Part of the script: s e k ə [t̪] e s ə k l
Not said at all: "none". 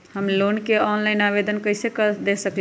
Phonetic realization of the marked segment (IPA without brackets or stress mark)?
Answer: d̪